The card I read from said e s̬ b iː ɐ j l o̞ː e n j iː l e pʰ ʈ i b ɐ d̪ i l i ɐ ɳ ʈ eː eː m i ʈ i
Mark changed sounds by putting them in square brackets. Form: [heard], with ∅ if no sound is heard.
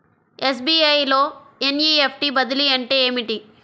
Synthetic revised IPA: e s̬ b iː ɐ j l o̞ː e n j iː [∅] e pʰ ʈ i b ɐ d̪ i l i ɐ ɳ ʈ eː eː m i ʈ i